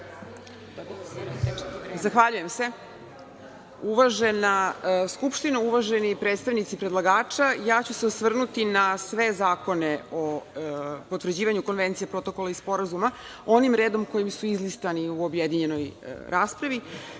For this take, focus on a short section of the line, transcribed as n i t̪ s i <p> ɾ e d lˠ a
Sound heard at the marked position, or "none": p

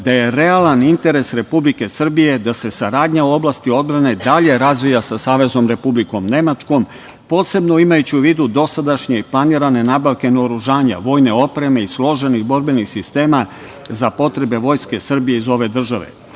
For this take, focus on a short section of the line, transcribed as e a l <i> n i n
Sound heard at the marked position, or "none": a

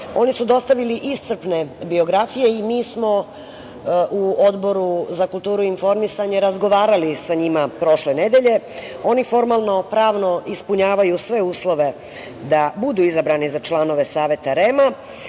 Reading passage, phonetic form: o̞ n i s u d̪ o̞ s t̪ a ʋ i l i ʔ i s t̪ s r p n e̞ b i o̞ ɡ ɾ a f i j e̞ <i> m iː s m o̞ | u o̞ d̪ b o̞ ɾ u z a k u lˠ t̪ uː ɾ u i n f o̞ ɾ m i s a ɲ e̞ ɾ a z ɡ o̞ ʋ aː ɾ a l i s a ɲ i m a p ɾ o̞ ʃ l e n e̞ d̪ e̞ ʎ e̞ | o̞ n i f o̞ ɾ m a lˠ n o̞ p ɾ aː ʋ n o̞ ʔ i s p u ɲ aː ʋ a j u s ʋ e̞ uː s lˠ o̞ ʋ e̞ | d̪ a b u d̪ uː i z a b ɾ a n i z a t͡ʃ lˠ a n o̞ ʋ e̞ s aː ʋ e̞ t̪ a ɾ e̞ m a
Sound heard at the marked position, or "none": i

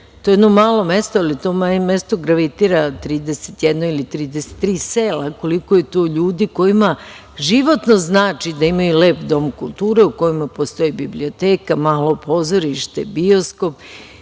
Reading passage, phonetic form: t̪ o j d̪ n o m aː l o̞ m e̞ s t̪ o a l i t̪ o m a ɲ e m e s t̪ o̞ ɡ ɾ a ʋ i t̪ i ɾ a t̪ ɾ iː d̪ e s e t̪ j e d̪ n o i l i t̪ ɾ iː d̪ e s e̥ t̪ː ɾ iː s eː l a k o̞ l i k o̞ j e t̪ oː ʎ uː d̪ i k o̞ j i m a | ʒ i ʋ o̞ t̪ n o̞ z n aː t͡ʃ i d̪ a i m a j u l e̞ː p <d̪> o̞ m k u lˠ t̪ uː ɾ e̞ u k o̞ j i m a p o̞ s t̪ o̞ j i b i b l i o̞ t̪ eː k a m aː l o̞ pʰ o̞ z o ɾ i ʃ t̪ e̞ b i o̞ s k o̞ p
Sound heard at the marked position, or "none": d̪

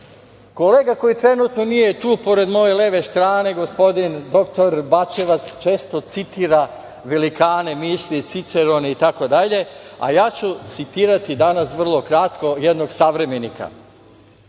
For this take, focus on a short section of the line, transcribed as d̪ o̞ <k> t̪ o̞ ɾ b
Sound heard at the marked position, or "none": k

